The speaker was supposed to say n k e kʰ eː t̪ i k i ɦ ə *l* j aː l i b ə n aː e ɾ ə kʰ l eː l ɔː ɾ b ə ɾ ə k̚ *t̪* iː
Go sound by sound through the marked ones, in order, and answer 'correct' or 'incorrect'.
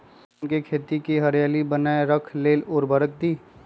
incorrect, incorrect

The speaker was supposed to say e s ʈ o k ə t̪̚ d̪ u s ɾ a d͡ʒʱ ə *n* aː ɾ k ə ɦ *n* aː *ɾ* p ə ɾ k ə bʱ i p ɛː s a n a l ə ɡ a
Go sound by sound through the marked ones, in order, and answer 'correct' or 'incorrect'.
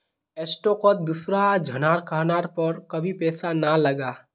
correct, correct, correct

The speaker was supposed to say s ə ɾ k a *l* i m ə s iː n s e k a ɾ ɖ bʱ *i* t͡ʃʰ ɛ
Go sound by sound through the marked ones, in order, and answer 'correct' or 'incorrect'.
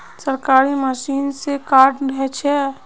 incorrect, incorrect

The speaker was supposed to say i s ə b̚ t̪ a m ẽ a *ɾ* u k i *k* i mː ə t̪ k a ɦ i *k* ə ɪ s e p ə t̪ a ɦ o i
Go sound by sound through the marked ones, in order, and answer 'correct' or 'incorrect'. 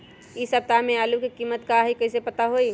incorrect, correct, correct

